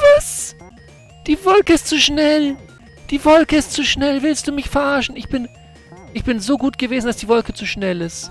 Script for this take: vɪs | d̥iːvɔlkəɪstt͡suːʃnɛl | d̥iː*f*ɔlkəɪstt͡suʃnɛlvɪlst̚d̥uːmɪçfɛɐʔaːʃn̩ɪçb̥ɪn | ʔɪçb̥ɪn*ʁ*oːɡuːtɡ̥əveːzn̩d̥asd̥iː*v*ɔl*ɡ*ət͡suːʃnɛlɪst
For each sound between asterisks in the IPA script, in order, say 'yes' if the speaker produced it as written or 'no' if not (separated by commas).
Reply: no, no, yes, no